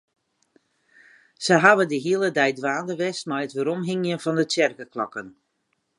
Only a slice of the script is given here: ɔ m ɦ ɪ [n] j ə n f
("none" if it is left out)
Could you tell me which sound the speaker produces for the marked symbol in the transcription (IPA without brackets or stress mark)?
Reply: ŋ